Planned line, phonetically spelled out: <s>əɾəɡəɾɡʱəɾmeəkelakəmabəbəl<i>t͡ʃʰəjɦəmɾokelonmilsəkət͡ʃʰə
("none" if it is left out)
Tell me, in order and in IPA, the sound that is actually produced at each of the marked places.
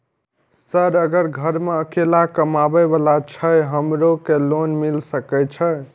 s, a

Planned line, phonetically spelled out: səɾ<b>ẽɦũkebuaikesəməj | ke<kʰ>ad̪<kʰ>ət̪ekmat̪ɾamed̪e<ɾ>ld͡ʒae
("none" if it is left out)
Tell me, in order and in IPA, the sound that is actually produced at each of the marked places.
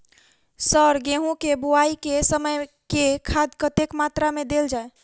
ɡ, kʰ, k, none

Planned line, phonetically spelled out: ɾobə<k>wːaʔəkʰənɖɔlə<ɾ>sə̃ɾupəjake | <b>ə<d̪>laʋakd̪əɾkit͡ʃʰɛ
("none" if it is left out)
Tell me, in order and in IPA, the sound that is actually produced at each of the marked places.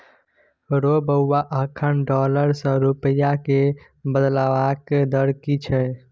none, ɾ, b, d̪

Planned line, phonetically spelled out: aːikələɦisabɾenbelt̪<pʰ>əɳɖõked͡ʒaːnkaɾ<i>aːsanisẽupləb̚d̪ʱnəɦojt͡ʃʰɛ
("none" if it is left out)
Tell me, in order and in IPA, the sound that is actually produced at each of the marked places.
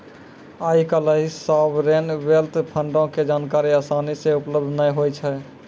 pʰ, i

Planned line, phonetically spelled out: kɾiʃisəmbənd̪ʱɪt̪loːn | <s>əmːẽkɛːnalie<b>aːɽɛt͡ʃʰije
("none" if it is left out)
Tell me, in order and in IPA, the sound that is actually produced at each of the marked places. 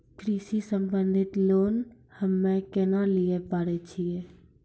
h, p

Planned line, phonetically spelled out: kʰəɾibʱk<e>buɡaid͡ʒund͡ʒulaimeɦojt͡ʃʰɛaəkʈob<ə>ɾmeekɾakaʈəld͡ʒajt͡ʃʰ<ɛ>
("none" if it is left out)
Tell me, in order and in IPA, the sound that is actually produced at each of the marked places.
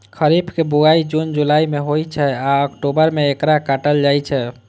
e, ə, ɛ

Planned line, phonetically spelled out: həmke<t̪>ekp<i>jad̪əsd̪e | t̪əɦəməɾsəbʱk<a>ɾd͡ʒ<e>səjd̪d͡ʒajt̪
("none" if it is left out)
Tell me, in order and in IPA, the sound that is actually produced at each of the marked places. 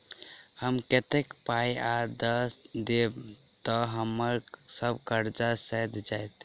t̪, a, ə, a

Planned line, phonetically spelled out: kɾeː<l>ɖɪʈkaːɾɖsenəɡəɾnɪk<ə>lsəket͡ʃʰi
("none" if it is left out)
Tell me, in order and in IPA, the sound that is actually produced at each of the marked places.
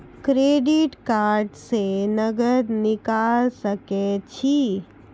none, a

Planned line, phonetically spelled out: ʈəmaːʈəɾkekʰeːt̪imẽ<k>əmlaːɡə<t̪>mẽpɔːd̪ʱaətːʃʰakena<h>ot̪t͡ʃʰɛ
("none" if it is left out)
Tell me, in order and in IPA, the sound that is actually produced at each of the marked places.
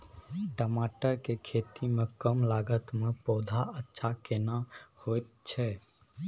k, t̪, h

